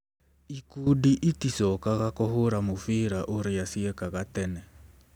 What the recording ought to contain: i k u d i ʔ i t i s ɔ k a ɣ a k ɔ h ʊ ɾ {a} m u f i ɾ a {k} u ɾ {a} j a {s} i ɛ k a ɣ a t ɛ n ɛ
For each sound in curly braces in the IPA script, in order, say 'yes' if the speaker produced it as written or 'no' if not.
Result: yes, no, no, yes

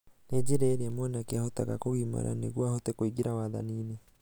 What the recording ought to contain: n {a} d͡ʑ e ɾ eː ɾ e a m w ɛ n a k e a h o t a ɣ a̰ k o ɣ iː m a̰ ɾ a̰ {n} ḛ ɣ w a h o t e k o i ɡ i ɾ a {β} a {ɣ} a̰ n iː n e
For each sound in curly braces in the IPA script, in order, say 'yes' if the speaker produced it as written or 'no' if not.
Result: no, yes, no, no

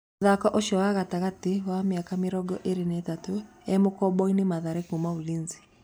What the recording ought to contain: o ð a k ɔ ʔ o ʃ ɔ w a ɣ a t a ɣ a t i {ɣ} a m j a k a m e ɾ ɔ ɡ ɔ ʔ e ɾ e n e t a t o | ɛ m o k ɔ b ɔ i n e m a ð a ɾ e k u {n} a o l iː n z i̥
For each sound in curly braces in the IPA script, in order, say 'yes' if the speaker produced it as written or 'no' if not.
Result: no, no

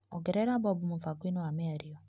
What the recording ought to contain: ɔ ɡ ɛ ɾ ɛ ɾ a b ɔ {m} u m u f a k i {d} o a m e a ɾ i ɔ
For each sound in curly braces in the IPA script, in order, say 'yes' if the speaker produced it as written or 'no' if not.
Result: no, no

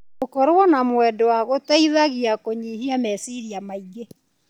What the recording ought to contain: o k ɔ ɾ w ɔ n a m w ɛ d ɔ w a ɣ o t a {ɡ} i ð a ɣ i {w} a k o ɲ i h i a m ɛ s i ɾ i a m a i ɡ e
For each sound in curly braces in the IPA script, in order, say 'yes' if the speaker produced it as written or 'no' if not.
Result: no, no

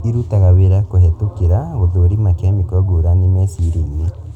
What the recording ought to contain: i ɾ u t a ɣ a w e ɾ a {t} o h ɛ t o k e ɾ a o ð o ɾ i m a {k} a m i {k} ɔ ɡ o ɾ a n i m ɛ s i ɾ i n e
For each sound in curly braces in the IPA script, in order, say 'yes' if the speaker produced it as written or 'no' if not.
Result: no, yes, yes

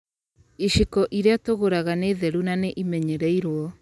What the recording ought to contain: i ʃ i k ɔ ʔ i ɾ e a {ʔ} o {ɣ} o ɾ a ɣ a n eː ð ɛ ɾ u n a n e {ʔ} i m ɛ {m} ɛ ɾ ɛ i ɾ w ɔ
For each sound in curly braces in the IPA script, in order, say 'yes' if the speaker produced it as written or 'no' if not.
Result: no, yes, yes, no

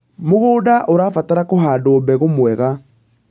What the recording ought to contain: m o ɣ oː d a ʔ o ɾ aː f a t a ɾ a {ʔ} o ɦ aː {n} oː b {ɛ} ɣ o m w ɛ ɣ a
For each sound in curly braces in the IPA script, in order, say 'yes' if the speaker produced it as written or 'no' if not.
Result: no, no, yes

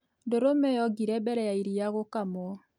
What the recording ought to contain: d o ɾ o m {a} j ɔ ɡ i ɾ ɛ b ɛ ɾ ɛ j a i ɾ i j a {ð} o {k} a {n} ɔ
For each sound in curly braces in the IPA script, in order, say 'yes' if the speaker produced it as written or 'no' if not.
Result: no, no, yes, no

